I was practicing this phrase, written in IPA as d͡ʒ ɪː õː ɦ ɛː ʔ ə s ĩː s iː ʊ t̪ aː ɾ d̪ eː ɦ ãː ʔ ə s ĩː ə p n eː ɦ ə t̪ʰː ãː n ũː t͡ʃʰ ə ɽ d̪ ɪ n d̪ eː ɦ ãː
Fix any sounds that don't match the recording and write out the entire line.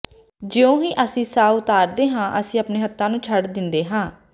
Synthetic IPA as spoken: d͡ʒ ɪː õː ɦ iː ʔ ə s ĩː s aː ʊ t̪ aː ɾ d̪ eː ɦ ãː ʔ ə s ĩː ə p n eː ɦ ə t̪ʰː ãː n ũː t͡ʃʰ ə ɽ d̪ ɪ n d̪ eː ɦ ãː

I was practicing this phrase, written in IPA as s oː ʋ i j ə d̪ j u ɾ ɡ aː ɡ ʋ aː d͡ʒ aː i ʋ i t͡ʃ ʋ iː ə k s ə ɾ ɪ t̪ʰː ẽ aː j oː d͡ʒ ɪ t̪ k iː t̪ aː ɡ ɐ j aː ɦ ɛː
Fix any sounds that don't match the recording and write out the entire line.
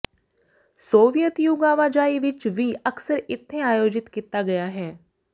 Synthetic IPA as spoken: s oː ʋ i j ə t̪ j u ɡ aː ʋ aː d͡ʒ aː i ʋ ɪ t͡ʃ ʋ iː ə k s ə ɾ ɪ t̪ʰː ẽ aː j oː d͡ʒ ɪ t̪ k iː t̪ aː ɡ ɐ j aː ɦ ɛː

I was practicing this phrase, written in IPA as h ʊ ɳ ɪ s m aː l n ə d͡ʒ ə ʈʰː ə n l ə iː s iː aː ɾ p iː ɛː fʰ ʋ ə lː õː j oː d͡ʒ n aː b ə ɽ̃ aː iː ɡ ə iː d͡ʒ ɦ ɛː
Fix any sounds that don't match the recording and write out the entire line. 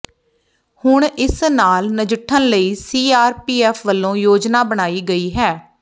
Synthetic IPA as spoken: h ʊ ɳ ɪ s n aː l n ə d͡ʒ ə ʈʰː ə n l ə iː s iː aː ɾ p iː ɛː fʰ ʋ ə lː õː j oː d͡ʒ n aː b ə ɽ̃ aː iː ɡ ə iː ɦ ɛː

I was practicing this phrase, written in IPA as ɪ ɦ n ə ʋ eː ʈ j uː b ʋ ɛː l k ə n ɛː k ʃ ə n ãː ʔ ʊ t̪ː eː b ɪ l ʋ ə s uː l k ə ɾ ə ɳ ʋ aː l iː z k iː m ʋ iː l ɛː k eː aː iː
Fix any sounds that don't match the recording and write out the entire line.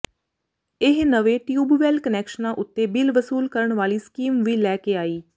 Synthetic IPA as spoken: ɪ ɦ n ə ʋ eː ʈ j uː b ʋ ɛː l k ə n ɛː k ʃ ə n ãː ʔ ʊ t̪ː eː b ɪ l ʋ ə s uː l k ə ɾ ə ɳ ʋ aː l iː s k iː m ʋ iː l ɛː k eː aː iː

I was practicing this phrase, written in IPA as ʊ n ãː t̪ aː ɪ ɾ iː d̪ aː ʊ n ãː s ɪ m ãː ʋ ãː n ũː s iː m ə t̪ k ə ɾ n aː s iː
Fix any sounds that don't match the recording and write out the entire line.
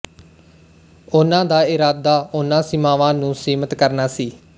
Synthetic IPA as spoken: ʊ n ãː d̪ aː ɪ ɾ aː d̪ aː ʊ n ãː s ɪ m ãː ʋ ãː n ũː s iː m ə t̪ k ə ɾ n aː s iː

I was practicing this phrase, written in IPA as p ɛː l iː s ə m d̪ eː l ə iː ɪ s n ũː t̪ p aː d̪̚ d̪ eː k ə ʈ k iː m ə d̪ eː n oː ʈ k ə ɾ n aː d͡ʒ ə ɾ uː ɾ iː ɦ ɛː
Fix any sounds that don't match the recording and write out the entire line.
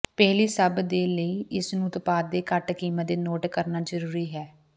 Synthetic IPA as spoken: p ɛː l iː s ə b d̪ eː l ə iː ɪ s n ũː t̪ p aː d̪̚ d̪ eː k ə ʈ k iː m ə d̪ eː n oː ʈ k ə ɾ n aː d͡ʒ ə ɾ uː ɾ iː ɦ ɛː

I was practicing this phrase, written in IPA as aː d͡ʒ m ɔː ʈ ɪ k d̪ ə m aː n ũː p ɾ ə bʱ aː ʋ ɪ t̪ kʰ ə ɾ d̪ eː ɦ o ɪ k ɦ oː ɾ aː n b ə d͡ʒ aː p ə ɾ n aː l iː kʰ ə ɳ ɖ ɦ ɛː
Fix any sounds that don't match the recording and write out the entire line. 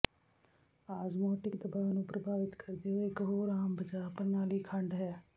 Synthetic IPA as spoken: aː d͡ʒ m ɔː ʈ ɪ k d̪ ə b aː n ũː p ɾ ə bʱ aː ʋ ɪ t̪ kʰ ə ɾ d̪ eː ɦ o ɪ k ɦ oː ɾ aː m b ə d͡ʒ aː p ə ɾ n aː l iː kʰ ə ɳ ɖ ɦ ɛː

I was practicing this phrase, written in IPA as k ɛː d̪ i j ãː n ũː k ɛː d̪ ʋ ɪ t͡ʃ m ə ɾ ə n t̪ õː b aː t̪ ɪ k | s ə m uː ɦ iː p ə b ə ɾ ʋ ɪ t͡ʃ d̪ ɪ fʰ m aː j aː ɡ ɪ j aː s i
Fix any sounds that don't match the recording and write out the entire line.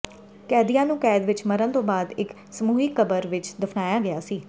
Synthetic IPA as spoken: k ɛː d̪ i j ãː n ũː k ɛː d̪ ʋ ɪ t͡ʃ m ə ɾ ə n t̪ õː b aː d̪ ɪ k | s ə m uː ɦ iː k ə b ə ɾ ʋ ɪ t͡ʃ d̪ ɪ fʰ n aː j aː ɡ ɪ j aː s iː

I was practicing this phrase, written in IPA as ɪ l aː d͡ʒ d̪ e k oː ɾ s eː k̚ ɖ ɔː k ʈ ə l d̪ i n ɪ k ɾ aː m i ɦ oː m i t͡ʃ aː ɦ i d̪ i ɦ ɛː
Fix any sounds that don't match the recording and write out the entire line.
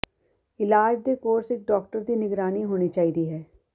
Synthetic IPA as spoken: ɪ l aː d͡ʒ d̪ e k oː ɾ s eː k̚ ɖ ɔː k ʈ ə ɾ d̪ i n ɪ ɡ ɾ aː n i ɦ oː n i t͡ʃ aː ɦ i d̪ i ɦ ɛː

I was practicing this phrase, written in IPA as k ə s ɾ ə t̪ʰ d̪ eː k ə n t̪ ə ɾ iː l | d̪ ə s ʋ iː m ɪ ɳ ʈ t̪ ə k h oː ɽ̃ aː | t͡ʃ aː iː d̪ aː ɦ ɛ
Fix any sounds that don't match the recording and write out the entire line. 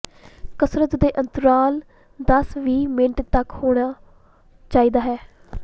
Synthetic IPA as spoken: k ə s ɾ ə t̪ d̪ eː ʔ ə n t̪ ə ɾ aː l | d̪ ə s ʋ iː m ɪ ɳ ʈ t̪ ə k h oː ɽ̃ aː | t͡ʃ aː iː d̪ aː ɦ ɛː

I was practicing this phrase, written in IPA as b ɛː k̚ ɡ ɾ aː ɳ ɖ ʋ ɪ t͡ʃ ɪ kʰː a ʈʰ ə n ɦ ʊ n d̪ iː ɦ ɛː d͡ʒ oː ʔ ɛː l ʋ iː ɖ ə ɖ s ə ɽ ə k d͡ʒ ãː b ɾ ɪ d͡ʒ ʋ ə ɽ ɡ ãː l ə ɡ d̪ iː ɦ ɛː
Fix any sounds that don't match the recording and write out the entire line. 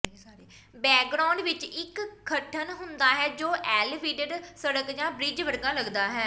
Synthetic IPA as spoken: b ɛː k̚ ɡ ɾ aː ɳ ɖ ʋ ɪ t͡ʃ ɪ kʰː ə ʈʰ ə n ɦ ʊ n d̪ aː ɦ ɛː d͡ʒ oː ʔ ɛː l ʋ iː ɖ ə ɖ s ə ɽ ə k d͡ʒ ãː b ɾ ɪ d͡ʒ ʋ ə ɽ ɡ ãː l ə ɡ d̪ aː ɦ ɛː

